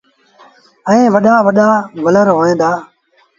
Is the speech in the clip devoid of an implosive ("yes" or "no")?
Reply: no